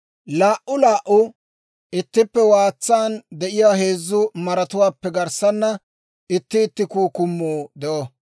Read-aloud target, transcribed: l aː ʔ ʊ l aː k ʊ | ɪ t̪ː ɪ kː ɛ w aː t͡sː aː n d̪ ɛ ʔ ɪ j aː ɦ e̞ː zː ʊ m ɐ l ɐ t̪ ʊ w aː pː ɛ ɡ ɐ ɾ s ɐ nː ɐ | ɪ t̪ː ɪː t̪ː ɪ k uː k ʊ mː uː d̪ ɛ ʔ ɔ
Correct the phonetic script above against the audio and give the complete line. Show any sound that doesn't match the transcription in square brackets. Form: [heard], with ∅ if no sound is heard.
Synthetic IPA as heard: l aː ʔ ʊ l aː [ʔ] ʊ | ɪ t̪ː ɪ [pː] ɛ w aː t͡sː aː n d̪ ɛ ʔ ɪ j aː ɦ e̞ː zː ʊ m ɐ [ɾ] ɐ t̪ ʊ w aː pː ɛ ɡ ɐ ɾ s ɐ nː ɐ | ɪ t̪ː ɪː t̪ː ɪ k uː k ʊ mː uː d̪ ɛ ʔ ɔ